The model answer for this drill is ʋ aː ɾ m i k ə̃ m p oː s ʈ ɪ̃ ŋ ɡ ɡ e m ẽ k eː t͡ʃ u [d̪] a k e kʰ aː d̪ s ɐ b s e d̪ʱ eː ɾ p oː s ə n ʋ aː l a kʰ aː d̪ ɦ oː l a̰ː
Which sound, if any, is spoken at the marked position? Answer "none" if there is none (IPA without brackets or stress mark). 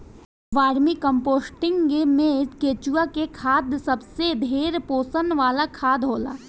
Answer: none